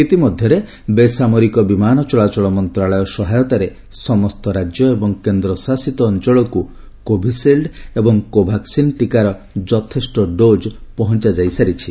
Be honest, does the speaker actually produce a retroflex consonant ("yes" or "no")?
yes